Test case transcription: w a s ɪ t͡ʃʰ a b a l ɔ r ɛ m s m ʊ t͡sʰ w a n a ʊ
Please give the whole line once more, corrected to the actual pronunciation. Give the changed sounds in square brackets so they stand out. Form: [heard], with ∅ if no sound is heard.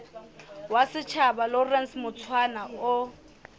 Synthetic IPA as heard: w a s ɪ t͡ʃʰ a b a l ɔ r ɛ [n] s m ʊ t͡sʰ w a n a ʊ

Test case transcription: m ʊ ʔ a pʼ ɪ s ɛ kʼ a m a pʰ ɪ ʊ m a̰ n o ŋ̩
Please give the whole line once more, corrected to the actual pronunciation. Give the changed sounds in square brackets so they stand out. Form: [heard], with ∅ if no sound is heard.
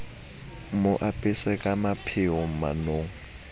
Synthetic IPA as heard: m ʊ ʔ a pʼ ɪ s ɛ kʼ a m a pʰ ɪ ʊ m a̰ n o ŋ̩

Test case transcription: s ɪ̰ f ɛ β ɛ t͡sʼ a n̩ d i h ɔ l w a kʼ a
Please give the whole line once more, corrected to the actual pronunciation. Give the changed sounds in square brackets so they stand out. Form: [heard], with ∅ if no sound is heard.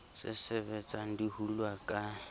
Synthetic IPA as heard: s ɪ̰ [s] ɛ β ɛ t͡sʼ a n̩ d i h [u] l w a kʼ a

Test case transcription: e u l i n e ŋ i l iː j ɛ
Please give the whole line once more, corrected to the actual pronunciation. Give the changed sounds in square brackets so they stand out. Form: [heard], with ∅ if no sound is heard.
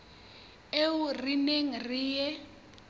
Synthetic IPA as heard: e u [r] i n e ŋ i [r] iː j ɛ

